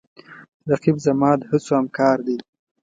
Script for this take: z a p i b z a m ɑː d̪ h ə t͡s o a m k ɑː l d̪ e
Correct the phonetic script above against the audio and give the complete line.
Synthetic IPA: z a q i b z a m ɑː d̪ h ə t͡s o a m k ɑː ɾ d̪ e